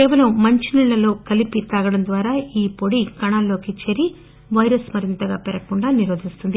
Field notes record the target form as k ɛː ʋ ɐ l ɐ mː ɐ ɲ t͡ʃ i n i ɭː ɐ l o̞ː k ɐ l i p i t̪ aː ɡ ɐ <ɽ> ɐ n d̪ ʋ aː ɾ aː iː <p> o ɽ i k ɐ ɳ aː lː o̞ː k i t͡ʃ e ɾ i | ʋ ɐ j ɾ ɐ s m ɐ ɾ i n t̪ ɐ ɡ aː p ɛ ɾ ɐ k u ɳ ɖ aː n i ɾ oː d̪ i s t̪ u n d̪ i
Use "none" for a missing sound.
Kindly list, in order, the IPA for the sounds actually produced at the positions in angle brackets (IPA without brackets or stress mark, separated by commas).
ɽ, p